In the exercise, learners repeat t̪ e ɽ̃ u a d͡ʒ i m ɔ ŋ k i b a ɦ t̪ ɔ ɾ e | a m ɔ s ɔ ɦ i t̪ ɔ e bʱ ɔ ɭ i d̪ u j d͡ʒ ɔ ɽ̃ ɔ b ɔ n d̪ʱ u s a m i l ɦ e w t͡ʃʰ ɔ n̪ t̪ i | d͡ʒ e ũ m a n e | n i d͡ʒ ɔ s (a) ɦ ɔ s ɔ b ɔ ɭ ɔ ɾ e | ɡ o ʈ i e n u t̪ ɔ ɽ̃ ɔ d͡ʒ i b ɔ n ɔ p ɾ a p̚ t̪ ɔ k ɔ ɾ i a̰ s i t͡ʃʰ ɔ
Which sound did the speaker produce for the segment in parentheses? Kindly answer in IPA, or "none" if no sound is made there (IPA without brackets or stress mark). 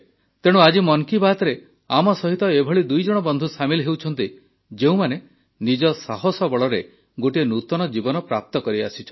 a